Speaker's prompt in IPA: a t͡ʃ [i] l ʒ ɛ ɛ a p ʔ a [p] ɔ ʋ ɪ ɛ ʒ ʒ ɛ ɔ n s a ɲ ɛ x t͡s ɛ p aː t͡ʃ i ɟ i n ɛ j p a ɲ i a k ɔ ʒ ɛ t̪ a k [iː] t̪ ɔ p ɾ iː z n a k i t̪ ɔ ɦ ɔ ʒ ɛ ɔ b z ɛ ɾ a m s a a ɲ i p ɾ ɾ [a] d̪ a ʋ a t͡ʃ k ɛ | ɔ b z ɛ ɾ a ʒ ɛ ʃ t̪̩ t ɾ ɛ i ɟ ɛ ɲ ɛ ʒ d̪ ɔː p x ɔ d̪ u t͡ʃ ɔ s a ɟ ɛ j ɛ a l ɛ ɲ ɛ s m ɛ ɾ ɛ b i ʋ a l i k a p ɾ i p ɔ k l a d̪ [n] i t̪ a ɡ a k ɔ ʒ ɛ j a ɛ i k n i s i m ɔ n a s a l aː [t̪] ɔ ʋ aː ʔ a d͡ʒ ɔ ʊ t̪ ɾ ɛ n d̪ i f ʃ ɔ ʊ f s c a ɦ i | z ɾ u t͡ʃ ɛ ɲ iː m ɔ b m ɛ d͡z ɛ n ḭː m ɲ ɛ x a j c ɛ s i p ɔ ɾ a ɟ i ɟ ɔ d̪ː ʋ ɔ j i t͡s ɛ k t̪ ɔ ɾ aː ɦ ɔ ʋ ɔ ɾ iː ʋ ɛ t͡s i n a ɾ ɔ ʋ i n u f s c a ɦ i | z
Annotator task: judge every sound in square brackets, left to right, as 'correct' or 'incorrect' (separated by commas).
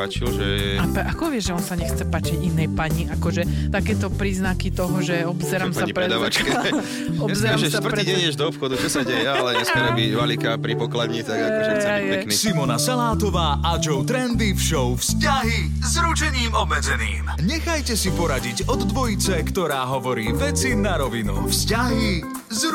correct, incorrect, incorrect, incorrect, incorrect, correct